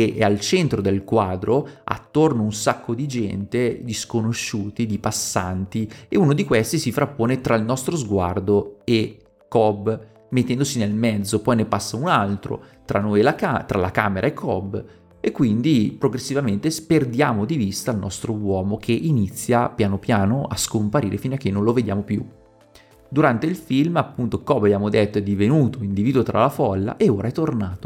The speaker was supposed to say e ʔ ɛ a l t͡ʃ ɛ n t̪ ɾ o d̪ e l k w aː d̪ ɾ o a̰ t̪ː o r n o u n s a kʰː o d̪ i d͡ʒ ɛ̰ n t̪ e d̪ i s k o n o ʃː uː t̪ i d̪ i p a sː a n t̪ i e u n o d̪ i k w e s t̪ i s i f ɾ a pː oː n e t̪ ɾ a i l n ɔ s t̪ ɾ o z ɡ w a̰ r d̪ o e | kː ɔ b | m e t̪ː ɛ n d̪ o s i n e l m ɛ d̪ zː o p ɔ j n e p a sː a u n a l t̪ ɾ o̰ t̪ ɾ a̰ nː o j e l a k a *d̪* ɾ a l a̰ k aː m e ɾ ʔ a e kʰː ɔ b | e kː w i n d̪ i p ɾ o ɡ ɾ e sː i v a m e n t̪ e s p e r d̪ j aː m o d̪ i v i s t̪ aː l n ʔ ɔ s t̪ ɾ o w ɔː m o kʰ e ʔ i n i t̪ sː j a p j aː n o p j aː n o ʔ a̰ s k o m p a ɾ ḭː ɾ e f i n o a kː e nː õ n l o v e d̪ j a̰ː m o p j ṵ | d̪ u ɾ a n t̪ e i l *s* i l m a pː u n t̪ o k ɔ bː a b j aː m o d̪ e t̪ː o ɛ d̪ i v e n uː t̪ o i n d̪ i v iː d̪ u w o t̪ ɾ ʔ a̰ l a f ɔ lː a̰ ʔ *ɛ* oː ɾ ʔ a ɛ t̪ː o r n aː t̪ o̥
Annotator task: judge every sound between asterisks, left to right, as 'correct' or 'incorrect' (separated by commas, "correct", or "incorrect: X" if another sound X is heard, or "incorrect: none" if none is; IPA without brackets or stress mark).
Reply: incorrect: t̪, incorrect: f, incorrect: e